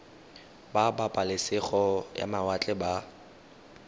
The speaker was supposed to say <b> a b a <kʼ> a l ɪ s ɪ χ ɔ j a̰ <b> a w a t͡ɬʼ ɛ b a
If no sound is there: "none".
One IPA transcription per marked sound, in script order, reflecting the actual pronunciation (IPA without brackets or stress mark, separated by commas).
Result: b, pʼ, m